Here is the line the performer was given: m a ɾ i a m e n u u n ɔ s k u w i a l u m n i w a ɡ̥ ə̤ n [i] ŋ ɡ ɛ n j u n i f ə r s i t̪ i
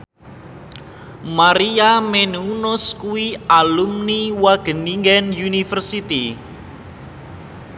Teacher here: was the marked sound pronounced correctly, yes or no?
yes